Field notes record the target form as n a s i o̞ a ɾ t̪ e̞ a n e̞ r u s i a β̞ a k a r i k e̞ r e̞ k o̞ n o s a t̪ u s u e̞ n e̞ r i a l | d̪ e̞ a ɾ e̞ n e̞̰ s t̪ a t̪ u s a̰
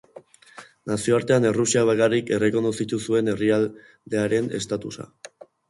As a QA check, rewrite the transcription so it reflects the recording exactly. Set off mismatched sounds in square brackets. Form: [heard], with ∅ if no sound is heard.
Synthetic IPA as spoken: n a s i o̞ a ɾ t̪ e̞ a n e̞ r u s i a β̞ a k a r i k e̞ r e̞ k o̞ n o s [i] t̪ u s u e̞ n e̞ r i a l | d̪ e̞ a ɾ e̞ n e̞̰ s t̪ a t̪ u s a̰